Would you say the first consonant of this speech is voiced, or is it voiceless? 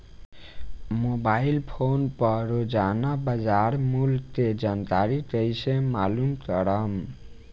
voiced